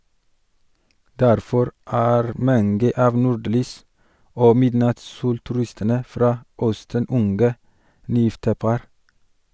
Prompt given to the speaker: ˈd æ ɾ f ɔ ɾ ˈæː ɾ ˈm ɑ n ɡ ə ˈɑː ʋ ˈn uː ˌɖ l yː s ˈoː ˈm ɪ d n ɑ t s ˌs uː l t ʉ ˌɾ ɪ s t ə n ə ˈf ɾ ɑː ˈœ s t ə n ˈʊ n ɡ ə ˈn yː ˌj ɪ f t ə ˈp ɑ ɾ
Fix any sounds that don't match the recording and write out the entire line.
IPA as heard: ˈd æ ɾ f ɔ ɾ ˈæː ɾ ˈm ɑ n ɡ ə ˈɑː ʋ ˈn uː ˌɖ l yː s ˈoː ˈm ɪ d n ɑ t s ˌs uː l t ʉ ˌɾ ɪ s t ə n ə ˈf ɾ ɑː ˈœ s t ə n ˈʊ n ɡ ə ˈn yː ˌj ɪ f t ə ˈp ɑ ɾ